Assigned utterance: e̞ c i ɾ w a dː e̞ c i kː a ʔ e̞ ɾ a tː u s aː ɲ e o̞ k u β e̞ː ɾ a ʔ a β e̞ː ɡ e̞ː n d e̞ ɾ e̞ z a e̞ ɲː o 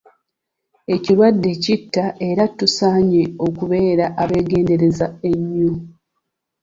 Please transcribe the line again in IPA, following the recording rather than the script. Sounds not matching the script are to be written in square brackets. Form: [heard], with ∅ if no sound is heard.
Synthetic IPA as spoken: e̞ c i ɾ w a dː e̞ c i [tː] a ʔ e̞ ɾ a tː u s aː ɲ e o̞ k u β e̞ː ɾ a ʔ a β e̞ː ɡ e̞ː n d e̞ ɾ e̞ z a e̞ ɲː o